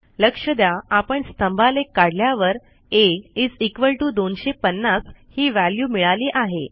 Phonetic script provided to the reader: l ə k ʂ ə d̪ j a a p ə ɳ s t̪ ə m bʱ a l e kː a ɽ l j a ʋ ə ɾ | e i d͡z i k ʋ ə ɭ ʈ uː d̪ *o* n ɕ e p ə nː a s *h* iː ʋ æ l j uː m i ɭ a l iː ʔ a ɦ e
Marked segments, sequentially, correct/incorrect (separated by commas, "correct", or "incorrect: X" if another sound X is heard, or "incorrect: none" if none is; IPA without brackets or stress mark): correct, correct